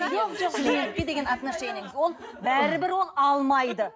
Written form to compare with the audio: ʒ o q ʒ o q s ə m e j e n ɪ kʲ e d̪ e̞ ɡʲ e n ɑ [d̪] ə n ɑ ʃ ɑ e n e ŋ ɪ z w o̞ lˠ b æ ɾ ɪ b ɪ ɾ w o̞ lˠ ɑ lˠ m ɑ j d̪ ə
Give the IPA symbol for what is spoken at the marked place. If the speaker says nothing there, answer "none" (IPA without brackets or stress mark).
t̪